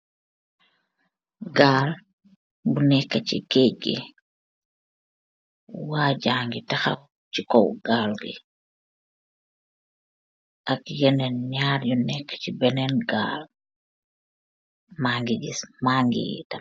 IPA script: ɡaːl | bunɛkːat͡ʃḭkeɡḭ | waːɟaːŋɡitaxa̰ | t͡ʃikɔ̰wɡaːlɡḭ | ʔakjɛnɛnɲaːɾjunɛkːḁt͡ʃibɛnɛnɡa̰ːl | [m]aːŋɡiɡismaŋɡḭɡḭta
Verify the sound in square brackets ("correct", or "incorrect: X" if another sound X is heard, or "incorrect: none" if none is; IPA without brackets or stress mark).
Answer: correct